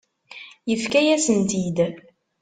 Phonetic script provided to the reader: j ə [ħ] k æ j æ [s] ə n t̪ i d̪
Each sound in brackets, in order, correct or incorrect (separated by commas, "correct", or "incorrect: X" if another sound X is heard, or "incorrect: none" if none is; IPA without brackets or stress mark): incorrect: f, correct